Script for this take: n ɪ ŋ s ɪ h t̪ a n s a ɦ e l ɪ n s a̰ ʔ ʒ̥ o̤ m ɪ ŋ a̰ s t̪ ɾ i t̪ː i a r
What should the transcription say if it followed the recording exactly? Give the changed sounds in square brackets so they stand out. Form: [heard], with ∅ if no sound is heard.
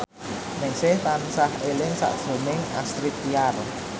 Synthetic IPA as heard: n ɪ ŋ s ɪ h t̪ a n s a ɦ e l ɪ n s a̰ ʔ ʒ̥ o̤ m ɪ ŋ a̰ s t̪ ɾ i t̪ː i a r